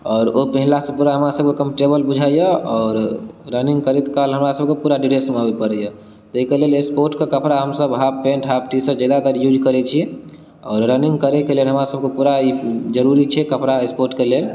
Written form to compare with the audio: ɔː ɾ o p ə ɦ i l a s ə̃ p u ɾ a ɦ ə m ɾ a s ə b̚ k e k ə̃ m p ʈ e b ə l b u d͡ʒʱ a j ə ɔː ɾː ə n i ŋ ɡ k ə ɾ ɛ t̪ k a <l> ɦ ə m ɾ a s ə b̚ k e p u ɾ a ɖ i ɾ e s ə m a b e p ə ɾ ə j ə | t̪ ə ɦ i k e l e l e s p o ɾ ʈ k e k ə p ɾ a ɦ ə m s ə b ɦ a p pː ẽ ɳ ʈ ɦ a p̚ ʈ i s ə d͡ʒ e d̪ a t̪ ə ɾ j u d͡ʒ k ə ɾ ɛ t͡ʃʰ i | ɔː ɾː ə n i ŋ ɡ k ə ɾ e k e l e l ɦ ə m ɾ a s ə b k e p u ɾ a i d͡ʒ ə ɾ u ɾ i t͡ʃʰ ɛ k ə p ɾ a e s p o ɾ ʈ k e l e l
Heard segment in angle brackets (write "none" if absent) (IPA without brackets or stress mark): l